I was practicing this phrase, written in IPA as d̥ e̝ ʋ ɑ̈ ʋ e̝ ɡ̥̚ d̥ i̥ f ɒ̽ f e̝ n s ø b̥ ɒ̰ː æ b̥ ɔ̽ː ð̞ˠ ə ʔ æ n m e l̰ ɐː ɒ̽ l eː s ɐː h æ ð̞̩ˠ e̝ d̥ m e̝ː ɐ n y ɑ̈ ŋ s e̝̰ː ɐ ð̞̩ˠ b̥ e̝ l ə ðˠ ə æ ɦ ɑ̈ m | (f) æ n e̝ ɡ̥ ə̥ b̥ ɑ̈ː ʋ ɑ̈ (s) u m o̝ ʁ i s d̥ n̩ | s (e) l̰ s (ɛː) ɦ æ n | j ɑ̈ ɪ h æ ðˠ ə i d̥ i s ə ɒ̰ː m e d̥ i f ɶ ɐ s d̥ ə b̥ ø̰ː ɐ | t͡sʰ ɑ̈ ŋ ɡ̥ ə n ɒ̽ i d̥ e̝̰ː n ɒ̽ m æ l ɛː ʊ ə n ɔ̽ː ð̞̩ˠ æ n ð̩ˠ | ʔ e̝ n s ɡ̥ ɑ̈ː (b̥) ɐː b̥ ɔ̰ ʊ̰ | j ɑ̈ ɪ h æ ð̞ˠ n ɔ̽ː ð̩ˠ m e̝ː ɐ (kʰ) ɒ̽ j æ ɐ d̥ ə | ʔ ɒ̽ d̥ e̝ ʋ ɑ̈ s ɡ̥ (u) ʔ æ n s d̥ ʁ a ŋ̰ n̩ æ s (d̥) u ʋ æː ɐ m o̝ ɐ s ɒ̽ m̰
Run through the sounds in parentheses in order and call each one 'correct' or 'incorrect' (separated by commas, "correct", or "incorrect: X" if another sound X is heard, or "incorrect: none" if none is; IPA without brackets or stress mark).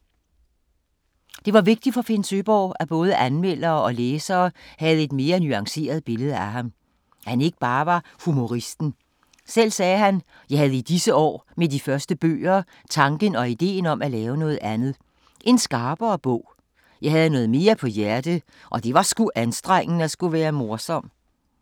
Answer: incorrect: h, incorrect: h, correct, correct, correct, incorrect: pʰ, correct, incorrect: ɡ̥